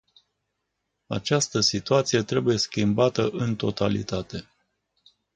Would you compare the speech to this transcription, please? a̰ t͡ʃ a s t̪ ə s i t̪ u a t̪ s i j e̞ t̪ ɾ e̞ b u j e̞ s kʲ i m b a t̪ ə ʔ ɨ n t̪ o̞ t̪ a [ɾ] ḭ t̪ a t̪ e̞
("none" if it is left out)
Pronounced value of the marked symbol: l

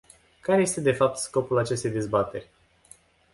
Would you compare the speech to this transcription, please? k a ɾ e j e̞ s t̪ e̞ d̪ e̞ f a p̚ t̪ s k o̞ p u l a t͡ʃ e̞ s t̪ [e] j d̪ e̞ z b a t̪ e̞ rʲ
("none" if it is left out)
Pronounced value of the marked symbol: e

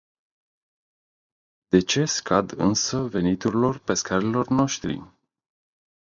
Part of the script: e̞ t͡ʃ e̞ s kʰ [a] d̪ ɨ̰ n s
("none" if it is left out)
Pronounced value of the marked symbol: a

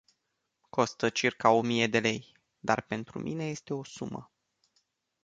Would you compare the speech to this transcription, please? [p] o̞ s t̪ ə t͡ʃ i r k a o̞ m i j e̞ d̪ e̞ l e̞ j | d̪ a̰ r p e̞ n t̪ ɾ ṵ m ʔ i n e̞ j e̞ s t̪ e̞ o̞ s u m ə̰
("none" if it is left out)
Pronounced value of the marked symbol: k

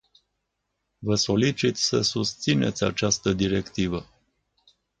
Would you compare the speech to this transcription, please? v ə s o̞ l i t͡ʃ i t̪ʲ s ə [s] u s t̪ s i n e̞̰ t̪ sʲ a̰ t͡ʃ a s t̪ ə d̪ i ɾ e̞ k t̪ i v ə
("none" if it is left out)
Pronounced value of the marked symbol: s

